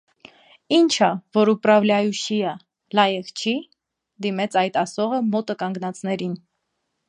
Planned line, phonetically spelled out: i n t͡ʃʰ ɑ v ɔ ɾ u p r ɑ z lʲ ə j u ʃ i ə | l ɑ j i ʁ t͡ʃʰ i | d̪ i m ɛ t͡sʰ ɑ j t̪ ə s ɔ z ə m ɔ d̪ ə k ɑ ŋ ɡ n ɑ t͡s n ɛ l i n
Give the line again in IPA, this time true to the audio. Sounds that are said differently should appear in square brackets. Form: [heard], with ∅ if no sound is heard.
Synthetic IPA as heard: i n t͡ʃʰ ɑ v ɔ ɾ u p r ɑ [v] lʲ [ɑ] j u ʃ i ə | l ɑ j [ɛ] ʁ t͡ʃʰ i | d̪ i m ɛ t͡sʰ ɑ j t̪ [ɑ] s ɔ [ʁ] ə m ɔ [t̪] ə k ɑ ŋ ɡ n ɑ t͡s n ɛ [ɾ] i n